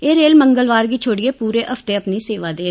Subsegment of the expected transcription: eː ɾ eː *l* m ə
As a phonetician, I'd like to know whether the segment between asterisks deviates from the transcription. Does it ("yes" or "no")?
no